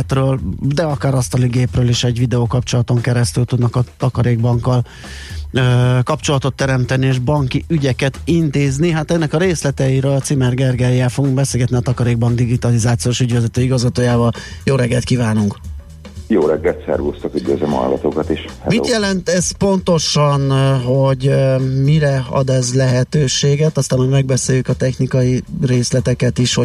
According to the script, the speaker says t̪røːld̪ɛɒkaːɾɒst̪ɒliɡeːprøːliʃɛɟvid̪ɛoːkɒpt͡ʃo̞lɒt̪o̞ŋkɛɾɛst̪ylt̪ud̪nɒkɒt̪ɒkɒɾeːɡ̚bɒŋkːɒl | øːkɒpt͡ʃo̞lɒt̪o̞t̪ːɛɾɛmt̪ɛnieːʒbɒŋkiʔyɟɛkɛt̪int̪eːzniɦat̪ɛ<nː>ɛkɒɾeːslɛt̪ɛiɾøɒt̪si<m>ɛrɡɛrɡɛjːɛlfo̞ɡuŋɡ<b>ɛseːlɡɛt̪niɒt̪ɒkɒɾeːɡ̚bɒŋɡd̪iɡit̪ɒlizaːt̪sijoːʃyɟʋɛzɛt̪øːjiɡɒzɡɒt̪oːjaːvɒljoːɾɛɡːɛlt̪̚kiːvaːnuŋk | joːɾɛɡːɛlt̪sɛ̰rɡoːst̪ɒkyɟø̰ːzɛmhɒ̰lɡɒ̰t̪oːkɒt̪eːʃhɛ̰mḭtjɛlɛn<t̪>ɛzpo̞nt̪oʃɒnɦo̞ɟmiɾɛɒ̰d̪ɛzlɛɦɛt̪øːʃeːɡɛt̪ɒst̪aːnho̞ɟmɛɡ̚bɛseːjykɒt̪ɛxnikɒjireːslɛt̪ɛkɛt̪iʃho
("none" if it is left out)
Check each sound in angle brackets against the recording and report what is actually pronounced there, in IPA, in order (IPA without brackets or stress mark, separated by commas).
nː, m, b, t̪